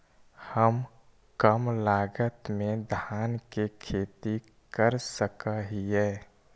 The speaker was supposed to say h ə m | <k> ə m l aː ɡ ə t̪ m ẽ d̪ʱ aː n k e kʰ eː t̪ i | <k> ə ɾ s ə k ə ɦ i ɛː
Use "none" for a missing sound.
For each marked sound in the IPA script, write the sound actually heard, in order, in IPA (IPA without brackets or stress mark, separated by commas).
k, k